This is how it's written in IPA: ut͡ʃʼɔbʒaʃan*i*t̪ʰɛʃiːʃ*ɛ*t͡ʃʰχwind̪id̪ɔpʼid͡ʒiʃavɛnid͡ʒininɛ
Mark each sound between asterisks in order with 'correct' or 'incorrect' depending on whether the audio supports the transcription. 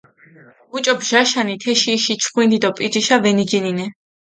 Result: correct, incorrect: i

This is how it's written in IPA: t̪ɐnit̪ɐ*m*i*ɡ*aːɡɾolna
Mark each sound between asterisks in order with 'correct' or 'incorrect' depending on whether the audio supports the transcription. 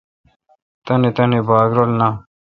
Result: incorrect: n, incorrect: b

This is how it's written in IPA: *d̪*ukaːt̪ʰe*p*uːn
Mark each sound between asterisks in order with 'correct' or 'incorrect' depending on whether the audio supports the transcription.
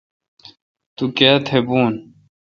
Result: incorrect: t̪, incorrect: b

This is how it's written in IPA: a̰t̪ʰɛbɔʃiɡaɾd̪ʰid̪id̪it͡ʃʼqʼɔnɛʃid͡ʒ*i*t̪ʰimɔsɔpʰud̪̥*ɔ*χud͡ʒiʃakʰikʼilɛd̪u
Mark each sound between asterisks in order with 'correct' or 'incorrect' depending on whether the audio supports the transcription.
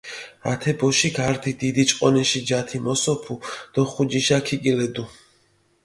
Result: incorrect: a, correct

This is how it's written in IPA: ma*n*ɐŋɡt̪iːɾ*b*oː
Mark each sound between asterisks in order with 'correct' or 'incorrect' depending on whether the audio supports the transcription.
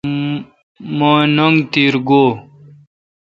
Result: correct, incorrect: ɡ

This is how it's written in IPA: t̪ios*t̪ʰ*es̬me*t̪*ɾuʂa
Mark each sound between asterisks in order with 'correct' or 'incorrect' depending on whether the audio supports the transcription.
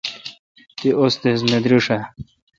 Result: incorrect: t̪, incorrect: d̪

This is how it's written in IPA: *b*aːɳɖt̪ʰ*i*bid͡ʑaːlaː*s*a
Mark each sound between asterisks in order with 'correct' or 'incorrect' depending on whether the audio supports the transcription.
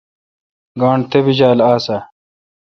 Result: incorrect: ɡ, incorrect: e, correct

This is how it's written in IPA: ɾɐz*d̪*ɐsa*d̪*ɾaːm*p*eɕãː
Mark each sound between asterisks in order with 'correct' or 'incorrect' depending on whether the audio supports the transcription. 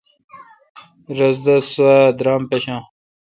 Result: correct, correct, correct

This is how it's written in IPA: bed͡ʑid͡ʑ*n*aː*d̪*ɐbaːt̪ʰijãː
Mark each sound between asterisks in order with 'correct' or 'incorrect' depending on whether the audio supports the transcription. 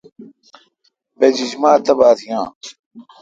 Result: incorrect: m, incorrect: t̪

